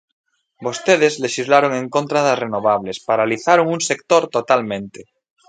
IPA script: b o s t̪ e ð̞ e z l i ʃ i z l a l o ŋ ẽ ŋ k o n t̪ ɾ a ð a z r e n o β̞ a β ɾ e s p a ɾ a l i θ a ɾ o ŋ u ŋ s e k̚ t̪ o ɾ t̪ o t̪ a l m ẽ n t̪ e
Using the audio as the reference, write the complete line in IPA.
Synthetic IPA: b o s t̪ e ð̞ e z l e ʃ i z l a ɾ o ŋ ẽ ŋ k o n t̪ ɾ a ð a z r e n o β̞ a β l e s p a ɾ a l i θ a ɾ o ŋ u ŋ s e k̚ t̪ o ɾ t̪ o t̪ a l m ẽ n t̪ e